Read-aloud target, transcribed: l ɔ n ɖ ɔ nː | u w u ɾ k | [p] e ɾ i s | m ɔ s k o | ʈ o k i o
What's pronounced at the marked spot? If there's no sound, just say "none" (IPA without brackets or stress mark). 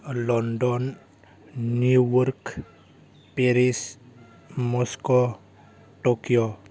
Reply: p